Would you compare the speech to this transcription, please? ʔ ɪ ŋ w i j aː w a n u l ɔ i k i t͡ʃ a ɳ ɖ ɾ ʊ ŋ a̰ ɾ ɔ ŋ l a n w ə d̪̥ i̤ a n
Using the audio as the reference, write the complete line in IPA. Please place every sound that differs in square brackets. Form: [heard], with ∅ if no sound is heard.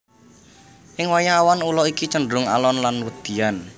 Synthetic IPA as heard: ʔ ɪ ŋ w [a] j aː w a n u l ɔ i k i t͡ʃ [ə] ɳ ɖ ɾ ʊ ŋ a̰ [l] ɔ [n] l a n w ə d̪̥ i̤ a n